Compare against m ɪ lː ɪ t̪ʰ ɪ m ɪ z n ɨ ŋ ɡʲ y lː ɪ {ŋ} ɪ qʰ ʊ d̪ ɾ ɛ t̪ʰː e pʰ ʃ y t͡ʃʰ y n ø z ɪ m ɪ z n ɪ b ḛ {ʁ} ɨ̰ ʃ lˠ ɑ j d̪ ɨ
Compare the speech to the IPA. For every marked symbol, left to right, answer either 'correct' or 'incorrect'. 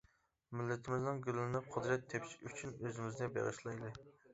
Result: incorrect: n, correct

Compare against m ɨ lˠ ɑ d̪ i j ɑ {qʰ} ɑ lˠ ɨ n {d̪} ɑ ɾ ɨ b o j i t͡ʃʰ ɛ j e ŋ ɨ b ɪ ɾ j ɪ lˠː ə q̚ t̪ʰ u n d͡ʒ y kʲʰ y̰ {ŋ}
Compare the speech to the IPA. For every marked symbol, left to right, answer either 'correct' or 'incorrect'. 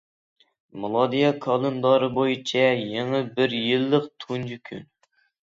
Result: incorrect: kʰ, correct, incorrect: n

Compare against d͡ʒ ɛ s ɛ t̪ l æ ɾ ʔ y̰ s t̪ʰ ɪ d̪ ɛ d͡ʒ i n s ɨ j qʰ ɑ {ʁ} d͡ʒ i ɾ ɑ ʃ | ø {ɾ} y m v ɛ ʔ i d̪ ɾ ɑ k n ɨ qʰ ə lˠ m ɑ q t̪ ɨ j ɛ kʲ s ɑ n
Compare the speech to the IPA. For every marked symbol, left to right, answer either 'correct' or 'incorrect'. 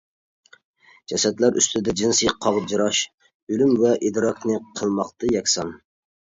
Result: correct, incorrect: l

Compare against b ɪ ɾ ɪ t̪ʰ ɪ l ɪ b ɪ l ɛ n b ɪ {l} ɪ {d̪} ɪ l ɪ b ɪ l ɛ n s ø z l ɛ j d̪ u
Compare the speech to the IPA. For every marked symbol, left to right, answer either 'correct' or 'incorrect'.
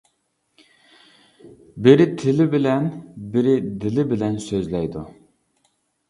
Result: incorrect: ɾ, correct

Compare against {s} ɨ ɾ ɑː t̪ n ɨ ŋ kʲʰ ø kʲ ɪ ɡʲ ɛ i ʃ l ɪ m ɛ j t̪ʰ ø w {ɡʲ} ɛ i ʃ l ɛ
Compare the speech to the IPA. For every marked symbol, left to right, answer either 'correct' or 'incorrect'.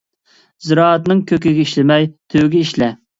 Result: incorrect: z, correct

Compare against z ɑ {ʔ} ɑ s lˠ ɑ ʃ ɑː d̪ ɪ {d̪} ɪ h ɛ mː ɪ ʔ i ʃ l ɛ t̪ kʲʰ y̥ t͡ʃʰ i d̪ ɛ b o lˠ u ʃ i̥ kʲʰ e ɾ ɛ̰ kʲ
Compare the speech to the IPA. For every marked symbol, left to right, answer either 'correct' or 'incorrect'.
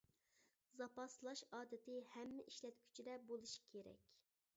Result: incorrect: p, incorrect: t̪

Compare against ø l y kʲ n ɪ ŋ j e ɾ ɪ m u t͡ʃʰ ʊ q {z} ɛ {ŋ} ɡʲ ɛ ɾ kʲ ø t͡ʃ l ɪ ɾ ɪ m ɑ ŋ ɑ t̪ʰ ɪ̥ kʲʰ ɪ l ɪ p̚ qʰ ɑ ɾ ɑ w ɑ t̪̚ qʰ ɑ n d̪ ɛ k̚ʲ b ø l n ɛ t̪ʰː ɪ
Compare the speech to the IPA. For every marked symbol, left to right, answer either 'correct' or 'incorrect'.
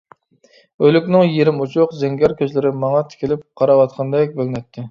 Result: correct, correct

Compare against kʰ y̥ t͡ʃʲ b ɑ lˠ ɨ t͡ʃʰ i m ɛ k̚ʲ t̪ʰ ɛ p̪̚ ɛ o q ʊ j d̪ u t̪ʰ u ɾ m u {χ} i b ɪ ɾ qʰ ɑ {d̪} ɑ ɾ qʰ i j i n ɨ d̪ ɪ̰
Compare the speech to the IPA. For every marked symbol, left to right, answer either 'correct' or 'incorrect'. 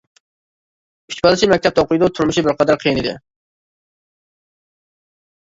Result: incorrect: ʃ, correct

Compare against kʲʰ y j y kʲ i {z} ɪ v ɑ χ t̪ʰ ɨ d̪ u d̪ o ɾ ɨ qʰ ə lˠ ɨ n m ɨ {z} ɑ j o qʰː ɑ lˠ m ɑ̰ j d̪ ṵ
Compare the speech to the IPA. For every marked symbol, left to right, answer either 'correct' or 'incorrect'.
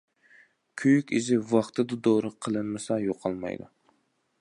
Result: correct, incorrect: s

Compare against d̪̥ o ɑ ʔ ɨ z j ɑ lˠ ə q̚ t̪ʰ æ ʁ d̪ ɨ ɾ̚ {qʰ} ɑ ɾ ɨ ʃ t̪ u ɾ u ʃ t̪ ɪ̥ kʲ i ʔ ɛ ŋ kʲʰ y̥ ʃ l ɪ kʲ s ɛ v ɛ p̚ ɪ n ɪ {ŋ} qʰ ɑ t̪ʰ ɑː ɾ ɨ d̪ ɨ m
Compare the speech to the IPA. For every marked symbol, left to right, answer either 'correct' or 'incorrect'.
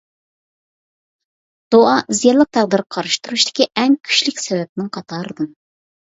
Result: correct, correct

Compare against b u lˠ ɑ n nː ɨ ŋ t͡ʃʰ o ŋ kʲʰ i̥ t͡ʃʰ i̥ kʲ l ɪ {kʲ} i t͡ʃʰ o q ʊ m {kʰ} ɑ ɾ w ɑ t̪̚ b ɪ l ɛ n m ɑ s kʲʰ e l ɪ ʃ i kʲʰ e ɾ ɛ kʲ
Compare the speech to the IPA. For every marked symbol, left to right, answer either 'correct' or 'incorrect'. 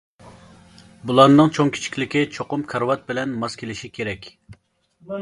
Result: correct, correct

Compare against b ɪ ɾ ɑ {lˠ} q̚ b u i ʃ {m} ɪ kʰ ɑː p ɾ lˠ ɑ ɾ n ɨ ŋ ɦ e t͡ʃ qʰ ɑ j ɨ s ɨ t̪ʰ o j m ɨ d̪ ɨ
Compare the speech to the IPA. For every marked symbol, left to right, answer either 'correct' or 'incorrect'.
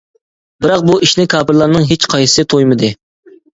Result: incorrect: none, incorrect: n

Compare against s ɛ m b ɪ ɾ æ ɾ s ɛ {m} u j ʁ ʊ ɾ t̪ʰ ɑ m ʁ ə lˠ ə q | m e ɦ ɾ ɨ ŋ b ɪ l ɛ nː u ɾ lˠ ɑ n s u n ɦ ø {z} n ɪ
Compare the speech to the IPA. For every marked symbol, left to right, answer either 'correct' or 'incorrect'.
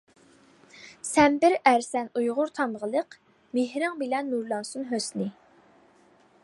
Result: incorrect: n, incorrect: s

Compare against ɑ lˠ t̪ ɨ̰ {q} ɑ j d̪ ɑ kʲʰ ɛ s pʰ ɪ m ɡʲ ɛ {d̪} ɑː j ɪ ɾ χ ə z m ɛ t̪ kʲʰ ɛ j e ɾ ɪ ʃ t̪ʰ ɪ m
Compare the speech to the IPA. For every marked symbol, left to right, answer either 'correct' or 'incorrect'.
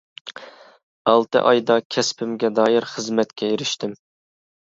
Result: incorrect: ʔ, correct

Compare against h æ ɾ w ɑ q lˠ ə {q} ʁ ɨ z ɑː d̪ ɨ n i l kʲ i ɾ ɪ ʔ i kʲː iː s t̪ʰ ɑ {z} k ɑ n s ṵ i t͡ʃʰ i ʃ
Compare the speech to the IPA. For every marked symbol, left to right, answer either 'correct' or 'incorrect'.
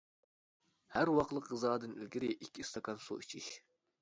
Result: correct, incorrect: none

